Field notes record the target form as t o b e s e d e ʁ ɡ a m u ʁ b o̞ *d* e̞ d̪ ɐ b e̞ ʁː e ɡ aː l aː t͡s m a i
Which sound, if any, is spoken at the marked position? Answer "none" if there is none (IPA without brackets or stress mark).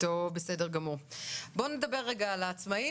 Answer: n